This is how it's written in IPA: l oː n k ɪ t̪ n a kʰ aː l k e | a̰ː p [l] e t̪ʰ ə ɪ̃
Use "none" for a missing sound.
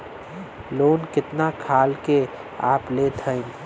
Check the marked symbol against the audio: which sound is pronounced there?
l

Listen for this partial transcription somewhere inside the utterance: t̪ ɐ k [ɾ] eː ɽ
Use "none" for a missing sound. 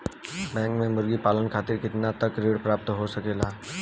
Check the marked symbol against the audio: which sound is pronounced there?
ɾ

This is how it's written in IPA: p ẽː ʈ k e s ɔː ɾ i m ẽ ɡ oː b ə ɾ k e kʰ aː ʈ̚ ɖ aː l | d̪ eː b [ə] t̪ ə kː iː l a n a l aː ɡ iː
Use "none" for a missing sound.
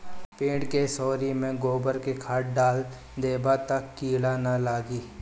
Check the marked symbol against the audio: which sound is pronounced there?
a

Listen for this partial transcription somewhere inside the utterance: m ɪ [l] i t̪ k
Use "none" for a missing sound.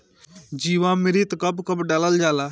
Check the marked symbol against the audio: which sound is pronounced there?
ɾ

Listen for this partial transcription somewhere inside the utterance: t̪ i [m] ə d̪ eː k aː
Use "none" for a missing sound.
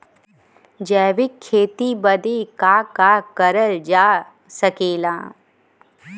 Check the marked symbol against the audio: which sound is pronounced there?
b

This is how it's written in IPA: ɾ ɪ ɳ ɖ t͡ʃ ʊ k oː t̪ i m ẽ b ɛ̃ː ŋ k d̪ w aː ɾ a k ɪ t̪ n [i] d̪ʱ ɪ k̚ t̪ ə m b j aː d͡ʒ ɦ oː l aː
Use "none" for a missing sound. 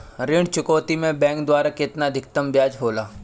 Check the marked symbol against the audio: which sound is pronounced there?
a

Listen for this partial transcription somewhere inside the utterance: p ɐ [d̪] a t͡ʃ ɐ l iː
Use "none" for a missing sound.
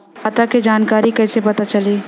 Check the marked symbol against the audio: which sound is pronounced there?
t̪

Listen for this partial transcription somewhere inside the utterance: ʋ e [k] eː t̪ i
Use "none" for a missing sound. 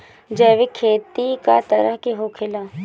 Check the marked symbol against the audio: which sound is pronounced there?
kʰ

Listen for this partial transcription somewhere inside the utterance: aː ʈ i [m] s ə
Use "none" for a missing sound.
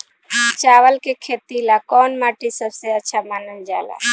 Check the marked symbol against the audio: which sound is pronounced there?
none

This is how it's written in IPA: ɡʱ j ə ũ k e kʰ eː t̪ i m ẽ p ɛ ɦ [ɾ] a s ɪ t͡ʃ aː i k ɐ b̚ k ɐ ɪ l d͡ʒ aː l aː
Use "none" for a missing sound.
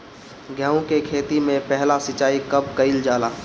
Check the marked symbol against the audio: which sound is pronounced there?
l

